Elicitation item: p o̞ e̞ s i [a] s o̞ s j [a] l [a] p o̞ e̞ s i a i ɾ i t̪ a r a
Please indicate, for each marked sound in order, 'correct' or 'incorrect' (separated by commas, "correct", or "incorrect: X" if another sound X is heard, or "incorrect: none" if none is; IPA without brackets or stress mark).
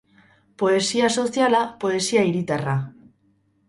correct, correct, correct